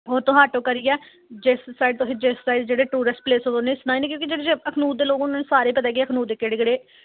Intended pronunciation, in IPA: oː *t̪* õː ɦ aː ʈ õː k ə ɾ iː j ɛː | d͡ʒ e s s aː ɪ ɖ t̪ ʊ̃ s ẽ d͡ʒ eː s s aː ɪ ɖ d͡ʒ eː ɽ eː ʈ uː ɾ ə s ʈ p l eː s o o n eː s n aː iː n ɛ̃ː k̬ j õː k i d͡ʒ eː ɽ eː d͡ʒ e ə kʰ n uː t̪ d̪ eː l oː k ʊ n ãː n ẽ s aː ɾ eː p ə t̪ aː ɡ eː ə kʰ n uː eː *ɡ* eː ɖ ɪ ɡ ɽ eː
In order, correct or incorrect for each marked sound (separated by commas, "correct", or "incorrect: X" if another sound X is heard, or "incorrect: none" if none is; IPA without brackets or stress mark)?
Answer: correct, incorrect: k